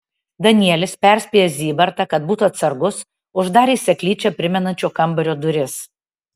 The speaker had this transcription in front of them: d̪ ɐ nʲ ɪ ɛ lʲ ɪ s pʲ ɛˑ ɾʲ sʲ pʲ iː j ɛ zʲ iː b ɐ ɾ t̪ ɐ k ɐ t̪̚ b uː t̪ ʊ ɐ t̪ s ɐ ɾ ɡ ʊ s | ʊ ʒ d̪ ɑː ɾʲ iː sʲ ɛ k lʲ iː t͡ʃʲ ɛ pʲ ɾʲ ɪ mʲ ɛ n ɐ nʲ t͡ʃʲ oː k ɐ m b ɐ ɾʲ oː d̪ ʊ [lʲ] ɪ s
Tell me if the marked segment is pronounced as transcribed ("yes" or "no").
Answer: no